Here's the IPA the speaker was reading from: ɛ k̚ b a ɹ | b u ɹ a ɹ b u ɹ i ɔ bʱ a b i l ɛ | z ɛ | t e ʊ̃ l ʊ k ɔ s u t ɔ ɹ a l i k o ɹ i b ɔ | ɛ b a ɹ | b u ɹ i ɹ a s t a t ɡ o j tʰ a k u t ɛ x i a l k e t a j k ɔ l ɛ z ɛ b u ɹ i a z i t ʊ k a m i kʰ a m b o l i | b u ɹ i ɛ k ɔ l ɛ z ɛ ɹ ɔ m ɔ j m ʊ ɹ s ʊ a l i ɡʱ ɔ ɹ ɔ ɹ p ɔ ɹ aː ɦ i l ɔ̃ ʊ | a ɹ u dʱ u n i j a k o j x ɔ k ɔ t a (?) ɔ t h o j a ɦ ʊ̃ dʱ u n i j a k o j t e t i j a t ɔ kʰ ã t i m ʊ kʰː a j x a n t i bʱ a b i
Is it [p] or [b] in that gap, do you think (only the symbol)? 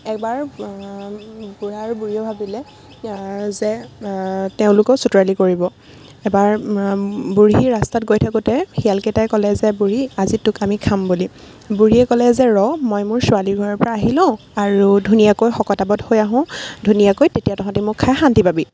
b